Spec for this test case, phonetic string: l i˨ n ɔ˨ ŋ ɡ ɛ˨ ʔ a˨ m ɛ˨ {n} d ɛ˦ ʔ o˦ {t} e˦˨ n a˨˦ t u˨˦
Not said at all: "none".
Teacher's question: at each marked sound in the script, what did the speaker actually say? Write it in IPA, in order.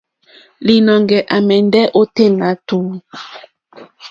n, t

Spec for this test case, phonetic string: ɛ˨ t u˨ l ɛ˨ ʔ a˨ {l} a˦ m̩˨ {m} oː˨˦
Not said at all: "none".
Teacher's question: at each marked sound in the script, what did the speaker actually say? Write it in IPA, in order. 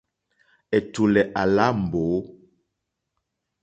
l, b

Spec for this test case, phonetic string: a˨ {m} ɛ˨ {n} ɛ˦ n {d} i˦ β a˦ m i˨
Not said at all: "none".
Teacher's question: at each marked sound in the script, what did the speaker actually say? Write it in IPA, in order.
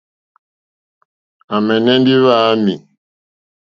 m, n, d

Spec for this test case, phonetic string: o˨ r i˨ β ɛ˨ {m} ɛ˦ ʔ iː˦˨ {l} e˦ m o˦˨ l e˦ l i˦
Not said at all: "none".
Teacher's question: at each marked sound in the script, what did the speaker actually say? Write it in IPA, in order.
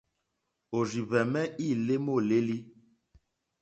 m, l

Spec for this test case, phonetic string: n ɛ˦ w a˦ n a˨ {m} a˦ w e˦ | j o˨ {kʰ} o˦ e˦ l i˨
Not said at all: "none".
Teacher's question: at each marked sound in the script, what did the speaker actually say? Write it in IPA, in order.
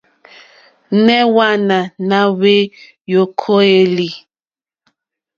n, kʰ

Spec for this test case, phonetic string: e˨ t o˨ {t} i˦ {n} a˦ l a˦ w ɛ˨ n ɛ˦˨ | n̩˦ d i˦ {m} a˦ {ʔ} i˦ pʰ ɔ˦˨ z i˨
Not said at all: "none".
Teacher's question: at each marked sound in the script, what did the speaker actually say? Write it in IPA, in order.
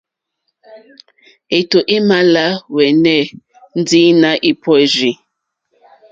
ʔ, m, n, ʔ

